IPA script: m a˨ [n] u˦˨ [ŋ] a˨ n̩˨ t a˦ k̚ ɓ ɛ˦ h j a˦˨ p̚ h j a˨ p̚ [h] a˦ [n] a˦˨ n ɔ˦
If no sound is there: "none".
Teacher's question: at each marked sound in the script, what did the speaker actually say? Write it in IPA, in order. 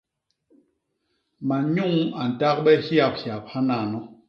ɲ, ŋ, h, n

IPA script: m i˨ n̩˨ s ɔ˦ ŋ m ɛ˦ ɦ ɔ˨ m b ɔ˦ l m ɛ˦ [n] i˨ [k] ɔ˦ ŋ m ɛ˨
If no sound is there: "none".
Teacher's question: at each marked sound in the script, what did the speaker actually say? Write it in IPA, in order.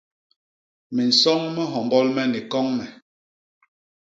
n, k

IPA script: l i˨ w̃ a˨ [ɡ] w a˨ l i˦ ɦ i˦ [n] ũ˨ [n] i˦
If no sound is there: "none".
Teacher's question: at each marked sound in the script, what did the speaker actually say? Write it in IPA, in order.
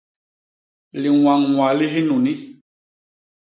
ŋ, n, n

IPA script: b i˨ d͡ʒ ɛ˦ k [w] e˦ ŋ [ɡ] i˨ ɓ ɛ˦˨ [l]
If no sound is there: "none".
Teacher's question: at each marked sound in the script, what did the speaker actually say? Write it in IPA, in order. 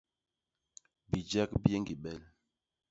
b, ɡ, l

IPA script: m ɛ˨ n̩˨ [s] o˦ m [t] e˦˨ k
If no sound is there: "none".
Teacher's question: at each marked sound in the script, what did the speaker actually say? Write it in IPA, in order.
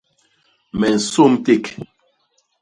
s, t

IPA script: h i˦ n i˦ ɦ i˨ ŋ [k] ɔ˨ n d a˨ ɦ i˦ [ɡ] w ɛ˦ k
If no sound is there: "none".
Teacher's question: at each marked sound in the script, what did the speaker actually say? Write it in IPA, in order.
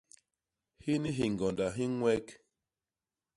ɡ, ŋ

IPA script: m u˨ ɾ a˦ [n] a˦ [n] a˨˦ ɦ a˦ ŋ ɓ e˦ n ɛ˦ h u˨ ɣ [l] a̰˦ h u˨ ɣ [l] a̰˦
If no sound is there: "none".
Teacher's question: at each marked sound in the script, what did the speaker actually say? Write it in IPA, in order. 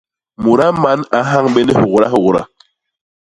m, n, ɾ, ɾ

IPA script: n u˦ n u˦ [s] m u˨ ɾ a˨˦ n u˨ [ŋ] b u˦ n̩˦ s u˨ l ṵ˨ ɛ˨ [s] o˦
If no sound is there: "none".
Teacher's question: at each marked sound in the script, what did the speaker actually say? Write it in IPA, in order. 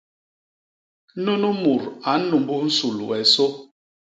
none, m, s

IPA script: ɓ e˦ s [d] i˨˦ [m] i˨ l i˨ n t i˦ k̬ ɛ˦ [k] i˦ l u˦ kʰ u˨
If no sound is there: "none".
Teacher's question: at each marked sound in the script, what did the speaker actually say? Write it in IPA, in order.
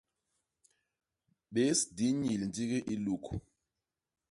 d, ɲ, ʔ

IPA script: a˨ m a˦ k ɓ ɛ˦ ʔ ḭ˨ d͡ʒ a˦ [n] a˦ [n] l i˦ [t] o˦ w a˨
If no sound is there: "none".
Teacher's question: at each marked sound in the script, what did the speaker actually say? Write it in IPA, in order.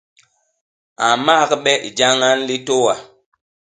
ŋ, n, t

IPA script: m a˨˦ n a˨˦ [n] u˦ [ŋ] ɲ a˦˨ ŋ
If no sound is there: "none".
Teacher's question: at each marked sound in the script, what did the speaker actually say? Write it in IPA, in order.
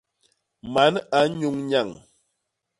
ɲ, ŋ

